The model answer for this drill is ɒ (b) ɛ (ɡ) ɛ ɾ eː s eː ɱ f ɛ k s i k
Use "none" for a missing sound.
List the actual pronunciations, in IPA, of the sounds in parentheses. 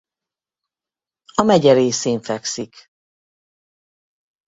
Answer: m, ɟ

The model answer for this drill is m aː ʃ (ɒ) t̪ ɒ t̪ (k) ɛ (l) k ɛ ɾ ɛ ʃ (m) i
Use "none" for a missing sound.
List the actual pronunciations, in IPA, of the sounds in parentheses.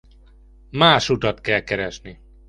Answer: u, k, l, n

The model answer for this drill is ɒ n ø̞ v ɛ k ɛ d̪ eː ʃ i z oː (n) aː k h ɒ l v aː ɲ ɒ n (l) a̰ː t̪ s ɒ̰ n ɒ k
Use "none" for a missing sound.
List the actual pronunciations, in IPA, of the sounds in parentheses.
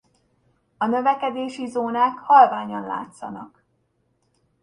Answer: n, l

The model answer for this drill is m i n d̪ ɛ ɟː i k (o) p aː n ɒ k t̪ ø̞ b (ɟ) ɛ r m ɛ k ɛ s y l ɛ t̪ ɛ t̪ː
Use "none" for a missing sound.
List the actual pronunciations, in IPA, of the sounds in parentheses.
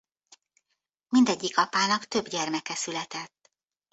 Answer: ɒ, ɟ

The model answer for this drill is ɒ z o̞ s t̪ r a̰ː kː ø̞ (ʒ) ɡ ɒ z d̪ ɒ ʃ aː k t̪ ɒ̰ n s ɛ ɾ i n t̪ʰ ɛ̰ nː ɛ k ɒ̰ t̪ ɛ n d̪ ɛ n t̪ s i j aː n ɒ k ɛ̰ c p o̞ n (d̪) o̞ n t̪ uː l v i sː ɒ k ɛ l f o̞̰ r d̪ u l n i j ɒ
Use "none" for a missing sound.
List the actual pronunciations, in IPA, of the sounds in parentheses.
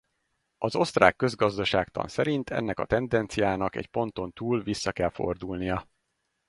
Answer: z, t̪

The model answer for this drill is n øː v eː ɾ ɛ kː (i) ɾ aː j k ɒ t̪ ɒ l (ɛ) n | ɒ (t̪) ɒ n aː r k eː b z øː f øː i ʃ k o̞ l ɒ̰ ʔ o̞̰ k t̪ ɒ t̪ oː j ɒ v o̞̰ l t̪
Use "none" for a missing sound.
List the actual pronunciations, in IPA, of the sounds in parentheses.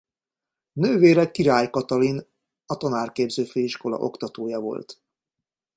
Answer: i, i, t̪

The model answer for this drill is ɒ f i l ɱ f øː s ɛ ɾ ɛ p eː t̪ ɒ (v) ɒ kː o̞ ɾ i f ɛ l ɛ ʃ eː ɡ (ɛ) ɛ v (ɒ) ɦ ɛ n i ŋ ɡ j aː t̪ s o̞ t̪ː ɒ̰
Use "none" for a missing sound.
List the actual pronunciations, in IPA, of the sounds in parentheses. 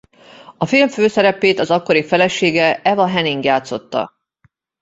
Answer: z, ɛ, ɒ

